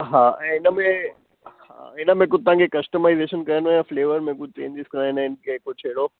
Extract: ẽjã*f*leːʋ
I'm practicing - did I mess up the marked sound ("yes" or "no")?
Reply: no